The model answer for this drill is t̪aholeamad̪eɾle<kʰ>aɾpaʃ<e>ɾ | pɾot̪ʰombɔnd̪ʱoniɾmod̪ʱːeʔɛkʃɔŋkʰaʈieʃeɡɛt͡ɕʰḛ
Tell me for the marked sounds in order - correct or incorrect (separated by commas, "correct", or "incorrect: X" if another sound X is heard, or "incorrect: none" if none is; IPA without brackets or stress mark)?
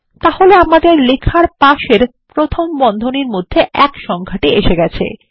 correct, correct